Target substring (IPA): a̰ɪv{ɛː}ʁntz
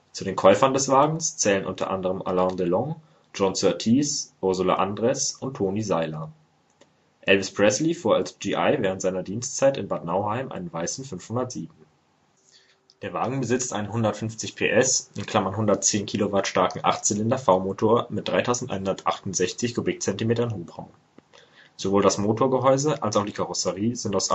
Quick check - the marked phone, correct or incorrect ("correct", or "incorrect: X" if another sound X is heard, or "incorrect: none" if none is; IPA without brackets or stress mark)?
correct